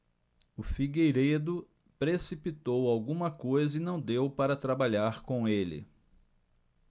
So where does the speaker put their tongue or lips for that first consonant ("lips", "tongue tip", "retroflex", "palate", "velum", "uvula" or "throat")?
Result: lips